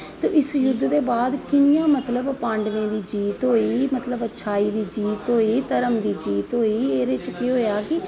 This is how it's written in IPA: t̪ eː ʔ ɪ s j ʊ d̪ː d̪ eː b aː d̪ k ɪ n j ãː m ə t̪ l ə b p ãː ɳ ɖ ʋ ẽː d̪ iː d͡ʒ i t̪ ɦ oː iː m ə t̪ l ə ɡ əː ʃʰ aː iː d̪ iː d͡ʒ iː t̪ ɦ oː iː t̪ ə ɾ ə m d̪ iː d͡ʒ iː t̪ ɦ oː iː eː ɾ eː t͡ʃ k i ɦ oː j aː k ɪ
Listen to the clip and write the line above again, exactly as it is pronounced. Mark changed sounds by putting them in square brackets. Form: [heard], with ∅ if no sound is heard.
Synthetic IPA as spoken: t̪ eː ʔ ɪ s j ʊ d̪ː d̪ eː b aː d̪ k ɪ n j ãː m ə t̪ l ə b p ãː ɳ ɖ ʋ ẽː d̪ iː d͡ʒ [iː] t̪ ɦ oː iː m ə t̪ l ə [b] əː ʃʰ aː iː d̪ iː d͡ʒ iː t̪ ɦ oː iː t̪ ə ɾ ə m d̪ iː d͡ʒ iː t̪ ɦ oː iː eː ɾ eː t͡ʃ k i ɦ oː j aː k ɪ